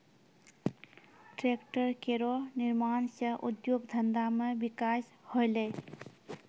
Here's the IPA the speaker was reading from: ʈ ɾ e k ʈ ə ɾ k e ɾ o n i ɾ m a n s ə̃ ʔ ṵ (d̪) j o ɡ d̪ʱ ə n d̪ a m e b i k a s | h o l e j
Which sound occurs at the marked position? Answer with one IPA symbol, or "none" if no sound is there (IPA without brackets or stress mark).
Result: d̪